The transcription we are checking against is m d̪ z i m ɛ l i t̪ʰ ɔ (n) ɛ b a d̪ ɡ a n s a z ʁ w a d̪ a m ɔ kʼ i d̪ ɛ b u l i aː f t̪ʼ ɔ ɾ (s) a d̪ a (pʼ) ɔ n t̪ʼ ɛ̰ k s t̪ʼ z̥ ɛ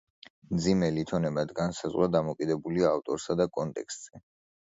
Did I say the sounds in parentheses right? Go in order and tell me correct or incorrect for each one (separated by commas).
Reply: correct, correct, incorrect